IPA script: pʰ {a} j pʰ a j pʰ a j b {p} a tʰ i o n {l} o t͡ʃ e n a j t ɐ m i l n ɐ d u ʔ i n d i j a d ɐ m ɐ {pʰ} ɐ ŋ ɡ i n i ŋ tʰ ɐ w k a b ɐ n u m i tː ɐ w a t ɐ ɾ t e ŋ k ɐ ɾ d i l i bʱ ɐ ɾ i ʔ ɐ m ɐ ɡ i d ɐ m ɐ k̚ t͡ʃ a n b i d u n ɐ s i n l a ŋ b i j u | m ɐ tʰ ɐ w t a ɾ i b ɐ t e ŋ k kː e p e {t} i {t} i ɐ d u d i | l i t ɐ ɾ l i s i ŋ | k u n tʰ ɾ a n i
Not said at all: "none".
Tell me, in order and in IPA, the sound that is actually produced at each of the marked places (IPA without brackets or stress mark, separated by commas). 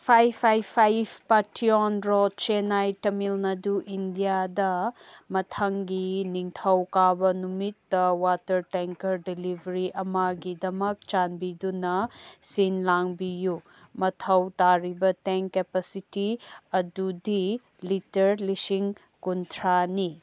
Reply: a, p, ɾ, tʰ, s, t